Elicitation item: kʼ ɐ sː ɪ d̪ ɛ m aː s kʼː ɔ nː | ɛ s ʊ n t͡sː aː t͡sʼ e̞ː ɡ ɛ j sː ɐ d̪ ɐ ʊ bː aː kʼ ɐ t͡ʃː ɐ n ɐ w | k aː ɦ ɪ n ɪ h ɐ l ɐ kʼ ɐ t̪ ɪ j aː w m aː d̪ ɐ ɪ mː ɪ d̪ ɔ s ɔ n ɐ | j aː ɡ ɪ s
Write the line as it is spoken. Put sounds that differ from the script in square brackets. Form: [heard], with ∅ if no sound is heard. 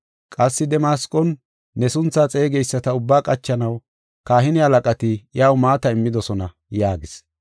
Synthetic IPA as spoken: kʼ ɐ sː ɪ d̪ ɛ m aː s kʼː ɔ nː | ɛ s ʊ n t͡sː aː t͡sʼ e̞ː ɡ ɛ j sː ɐ [t̪] ɐ ʊ bː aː kʼ ɐ t͡ʃː ɐ n ɐ w | k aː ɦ ɪ n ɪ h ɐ l ɐ kʼ ɐ t̪ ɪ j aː w m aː [t̪] ɐ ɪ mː ɪ d̪ ɔ s ɔ n ɐ | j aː ɡ ɪ s